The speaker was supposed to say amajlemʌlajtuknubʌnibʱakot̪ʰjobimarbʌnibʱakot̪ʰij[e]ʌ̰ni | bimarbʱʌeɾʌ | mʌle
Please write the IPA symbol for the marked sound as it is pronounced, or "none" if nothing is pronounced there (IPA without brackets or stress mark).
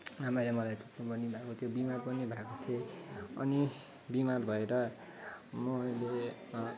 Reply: e